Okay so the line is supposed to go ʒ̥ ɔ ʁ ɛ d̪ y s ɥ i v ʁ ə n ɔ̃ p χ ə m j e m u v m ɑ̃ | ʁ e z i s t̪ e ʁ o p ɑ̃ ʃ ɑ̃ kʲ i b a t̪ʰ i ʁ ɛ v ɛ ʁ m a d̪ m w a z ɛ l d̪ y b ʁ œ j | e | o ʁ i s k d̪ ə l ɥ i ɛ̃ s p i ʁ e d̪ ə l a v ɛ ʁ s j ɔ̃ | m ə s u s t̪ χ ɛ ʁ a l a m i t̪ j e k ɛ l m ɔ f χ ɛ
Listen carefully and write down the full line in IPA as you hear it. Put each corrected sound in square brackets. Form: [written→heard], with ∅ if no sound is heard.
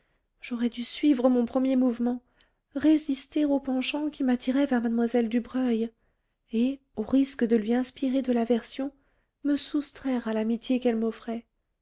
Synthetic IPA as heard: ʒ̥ ɔ ʁ ɛ d̪ y s ɥ i v ʁ ə [n→m] ɔ̃ p χ ə m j e m u v m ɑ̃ | ʁ e z i s t̪ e ʁ o p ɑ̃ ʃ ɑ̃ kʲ i [b→m] a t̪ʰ i ʁ ɛ v ɛ ʁ m a d̪ m w a z ɛ l d̪ y b ʁ œ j | e | o ʁ i s k d̪ ə l ɥ i ɛ̃ s p i ʁ e d̪ ə l a v ɛ ʁ s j ɔ̃ | m ə s u s t̪ χ ɛ ʁ a l a m i t̪ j e k ɛ l m ɔ f χ ɛ